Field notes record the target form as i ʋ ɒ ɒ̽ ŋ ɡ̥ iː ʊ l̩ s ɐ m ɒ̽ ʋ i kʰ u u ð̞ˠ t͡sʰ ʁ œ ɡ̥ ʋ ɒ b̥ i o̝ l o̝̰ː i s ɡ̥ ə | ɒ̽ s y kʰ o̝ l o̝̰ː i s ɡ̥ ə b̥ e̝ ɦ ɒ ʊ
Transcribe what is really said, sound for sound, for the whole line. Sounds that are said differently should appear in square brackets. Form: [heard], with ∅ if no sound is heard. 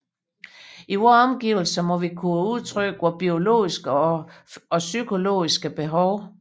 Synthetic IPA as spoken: i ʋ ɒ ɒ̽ [m] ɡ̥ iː ʊ l̩ s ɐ m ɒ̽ ʋ i kʰ u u ð̞ˠ t͡sʰ ʁ œ ɡ̥ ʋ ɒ b̥ i o̝ l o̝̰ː i s ɡ̥ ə | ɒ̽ s y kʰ o̝ l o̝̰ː i s ɡ̥ ə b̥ e̝ ɦ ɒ ʊ